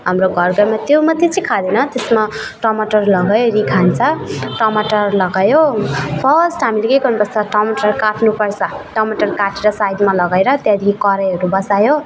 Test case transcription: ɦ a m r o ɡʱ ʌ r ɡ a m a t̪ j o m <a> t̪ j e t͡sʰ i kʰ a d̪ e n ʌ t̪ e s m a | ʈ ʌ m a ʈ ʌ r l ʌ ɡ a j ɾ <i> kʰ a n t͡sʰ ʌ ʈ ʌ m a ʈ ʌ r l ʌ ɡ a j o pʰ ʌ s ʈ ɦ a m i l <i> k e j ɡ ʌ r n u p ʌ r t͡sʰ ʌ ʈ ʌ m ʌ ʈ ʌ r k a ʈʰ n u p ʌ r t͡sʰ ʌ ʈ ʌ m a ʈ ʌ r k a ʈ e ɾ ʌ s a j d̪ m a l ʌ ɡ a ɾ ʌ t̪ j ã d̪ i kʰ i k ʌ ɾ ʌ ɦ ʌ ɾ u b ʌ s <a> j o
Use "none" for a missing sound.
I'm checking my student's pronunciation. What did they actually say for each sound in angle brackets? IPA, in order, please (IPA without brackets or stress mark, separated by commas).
ʌ, i, e, a